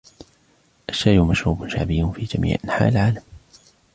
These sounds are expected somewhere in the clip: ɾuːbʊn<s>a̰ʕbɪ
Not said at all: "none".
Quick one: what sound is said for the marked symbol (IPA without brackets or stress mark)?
ʃ